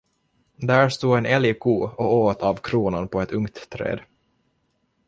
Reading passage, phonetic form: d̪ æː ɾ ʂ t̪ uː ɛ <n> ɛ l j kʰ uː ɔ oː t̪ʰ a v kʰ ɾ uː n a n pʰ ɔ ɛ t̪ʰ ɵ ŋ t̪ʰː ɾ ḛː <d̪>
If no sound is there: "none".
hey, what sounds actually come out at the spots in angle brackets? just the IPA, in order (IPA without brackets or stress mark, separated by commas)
n, d̪